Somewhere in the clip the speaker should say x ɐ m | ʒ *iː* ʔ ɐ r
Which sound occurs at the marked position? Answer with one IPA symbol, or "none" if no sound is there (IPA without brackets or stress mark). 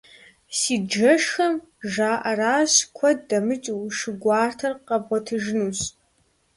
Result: aː